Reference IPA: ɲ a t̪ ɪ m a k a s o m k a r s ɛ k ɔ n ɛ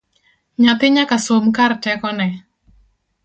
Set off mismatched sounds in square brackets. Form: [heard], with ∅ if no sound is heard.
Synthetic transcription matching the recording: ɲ a t̪ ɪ [ɲ] a k a s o m k a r [t] ɛ k ɔ n ɛ